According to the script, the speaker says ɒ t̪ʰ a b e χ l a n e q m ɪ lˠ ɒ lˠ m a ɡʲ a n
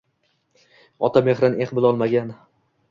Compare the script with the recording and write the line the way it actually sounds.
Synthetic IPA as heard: ɒ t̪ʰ a m e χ ɾ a n e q b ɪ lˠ ɒ lˠ m a ɡʲ a n